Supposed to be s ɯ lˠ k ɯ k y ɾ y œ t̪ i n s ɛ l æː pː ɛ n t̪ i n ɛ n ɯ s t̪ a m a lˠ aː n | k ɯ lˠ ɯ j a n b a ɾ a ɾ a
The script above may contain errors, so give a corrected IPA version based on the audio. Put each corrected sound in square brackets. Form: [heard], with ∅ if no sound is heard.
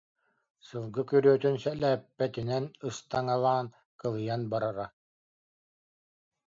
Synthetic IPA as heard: s ɯ lˠ [ɡ] ɯ k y ɾ y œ t̪ [y] n s ɛ l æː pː ɛ [∅] t̪ i n ɛ n ɯ s t̪ a [ŋ] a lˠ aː n | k ɯ lˠ ɯ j a n b a ɾ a ɾ a